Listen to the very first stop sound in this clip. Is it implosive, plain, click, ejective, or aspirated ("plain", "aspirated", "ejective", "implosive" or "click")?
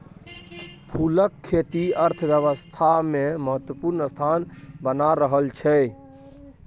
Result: aspirated